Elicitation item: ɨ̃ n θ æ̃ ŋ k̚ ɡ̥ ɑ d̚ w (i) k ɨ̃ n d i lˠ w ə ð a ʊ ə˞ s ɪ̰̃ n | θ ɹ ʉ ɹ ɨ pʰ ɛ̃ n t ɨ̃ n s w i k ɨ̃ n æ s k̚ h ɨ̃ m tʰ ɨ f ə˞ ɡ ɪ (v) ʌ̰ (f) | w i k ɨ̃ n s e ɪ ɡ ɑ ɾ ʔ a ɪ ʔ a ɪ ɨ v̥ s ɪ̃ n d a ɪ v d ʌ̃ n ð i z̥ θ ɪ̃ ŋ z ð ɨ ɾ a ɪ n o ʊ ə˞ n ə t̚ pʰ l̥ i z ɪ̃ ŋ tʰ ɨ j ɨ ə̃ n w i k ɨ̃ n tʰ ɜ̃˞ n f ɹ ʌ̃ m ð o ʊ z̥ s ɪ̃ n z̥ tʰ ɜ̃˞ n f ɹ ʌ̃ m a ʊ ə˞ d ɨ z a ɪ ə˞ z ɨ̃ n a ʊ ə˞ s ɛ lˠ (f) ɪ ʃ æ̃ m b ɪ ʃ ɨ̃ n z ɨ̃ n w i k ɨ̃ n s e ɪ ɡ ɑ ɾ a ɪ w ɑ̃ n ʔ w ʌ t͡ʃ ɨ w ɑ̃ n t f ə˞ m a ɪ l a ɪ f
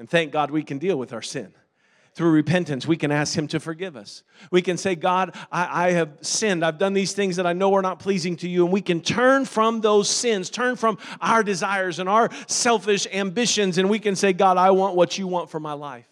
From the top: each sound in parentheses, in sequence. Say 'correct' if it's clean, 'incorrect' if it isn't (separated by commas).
correct, correct, incorrect, correct